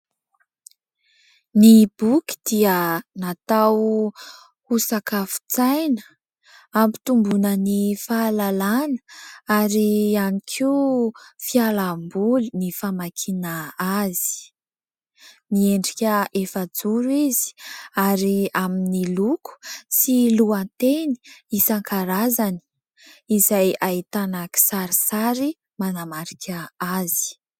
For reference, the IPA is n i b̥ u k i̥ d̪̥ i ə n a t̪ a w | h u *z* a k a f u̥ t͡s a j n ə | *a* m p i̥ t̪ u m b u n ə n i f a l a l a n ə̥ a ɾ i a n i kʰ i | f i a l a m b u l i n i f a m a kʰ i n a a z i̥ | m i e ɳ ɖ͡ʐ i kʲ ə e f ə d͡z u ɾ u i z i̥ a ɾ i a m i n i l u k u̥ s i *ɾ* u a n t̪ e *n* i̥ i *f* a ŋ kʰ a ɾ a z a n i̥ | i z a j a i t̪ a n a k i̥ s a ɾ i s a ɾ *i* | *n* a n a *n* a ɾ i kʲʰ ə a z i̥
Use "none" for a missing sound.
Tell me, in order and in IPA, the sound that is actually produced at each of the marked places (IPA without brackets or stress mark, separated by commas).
s, a, l, n, s, i, m, m